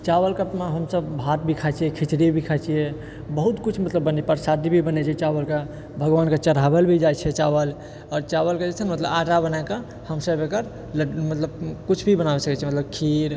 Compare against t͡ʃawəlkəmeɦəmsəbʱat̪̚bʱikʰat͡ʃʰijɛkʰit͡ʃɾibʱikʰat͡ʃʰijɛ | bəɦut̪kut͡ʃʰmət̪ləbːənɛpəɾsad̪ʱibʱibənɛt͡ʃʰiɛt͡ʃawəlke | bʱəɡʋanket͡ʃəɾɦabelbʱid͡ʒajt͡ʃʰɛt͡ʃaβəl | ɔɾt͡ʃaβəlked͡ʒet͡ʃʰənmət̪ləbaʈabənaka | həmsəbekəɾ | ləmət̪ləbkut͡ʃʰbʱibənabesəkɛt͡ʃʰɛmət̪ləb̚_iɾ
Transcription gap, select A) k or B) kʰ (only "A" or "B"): B